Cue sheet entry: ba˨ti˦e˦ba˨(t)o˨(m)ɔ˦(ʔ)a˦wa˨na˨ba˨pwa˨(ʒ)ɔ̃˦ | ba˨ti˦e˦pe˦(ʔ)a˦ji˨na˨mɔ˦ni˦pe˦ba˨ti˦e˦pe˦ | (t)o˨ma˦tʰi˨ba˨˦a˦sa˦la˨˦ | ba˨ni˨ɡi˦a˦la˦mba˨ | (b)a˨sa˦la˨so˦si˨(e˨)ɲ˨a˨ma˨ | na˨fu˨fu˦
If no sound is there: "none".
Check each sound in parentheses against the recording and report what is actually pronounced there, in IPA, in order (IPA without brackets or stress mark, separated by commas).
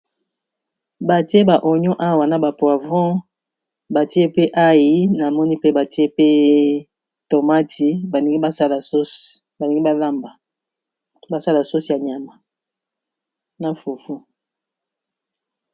ʔ, ɲ, ʔ, v, ʔ, t, b, a˨